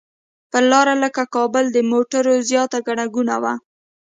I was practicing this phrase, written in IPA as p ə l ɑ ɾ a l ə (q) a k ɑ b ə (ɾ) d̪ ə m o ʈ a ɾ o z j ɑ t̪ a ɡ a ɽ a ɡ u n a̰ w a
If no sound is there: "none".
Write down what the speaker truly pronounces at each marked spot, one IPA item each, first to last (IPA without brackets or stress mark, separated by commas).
k, l